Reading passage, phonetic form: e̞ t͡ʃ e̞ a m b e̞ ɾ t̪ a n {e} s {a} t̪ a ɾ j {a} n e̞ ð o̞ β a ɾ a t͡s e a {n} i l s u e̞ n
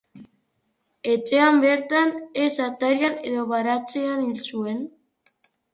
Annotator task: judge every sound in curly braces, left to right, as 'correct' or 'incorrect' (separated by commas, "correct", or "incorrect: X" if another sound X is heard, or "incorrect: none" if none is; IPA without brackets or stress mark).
correct, correct, correct, correct